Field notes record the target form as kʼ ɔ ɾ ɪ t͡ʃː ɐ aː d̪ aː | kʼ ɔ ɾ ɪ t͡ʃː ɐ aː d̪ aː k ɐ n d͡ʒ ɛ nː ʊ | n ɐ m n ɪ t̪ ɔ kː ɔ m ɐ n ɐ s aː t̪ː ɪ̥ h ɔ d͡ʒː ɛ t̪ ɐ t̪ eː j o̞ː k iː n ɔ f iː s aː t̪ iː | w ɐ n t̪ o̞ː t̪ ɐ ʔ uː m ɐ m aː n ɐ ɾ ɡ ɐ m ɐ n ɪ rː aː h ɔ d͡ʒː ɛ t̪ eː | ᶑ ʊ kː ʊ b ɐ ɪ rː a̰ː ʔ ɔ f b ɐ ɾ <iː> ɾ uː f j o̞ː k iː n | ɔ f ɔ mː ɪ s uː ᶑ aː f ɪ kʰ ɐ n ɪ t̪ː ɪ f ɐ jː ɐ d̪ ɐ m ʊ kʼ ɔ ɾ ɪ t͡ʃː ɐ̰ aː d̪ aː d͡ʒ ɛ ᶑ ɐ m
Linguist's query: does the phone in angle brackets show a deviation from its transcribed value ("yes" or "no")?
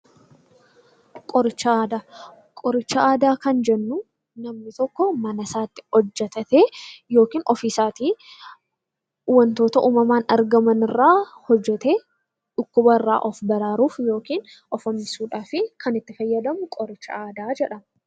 yes